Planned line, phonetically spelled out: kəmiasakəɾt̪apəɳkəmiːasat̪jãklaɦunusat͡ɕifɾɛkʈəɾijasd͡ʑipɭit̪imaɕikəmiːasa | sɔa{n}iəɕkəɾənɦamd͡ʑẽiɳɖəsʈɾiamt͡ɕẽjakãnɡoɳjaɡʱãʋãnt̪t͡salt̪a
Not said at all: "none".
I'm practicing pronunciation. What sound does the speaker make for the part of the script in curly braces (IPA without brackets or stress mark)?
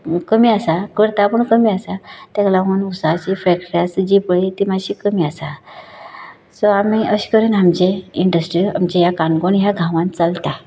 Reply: m